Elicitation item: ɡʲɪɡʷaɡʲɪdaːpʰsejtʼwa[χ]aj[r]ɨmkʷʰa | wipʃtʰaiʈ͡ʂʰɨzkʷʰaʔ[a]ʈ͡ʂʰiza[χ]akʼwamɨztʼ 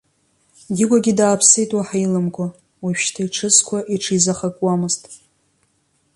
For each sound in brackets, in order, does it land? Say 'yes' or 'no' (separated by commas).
no, no, no, yes